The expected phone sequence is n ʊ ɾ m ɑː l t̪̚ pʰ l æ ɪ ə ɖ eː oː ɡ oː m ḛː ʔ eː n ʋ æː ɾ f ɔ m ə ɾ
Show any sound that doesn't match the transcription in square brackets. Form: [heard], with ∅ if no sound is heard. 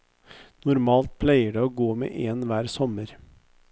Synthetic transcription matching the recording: n ʊ ɾ m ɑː l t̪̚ pʰ l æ ɪ ə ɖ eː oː ɡ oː m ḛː ʔ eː n ʋ æː ɾ [s] ɔ m ə ɾ